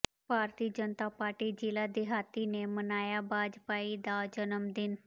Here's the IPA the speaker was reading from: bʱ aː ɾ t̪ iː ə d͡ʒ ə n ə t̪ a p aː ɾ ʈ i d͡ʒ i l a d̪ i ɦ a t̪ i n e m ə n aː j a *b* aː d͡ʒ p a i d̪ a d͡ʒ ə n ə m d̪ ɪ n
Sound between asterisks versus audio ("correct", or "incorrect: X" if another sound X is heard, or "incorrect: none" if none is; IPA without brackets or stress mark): correct